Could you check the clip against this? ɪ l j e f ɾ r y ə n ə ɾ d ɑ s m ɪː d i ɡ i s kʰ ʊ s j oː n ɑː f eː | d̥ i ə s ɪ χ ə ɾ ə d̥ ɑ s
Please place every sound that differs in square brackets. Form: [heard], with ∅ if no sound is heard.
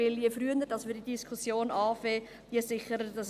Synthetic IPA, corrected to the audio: ɪ l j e f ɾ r y ə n ə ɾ d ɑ s m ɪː d i [d] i s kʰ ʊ s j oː n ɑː f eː | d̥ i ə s ɪ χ ə ɾ ə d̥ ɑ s